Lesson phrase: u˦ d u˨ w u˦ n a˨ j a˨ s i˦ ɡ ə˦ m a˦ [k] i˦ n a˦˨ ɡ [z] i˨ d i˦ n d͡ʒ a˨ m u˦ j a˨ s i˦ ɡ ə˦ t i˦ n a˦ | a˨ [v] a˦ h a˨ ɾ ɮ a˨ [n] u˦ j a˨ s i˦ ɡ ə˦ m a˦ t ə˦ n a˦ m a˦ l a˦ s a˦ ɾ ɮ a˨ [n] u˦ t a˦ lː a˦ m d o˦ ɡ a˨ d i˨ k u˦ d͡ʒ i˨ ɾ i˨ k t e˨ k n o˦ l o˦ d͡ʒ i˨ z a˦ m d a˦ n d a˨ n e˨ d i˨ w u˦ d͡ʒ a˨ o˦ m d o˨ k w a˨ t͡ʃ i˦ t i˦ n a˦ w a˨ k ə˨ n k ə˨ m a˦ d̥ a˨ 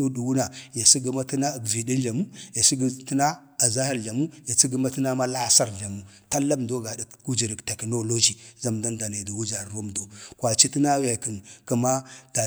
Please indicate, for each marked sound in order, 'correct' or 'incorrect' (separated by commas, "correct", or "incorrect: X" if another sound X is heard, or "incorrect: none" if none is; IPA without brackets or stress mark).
incorrect: t, incorrect: v, incorrect: z, incorrect: m, incorrect: m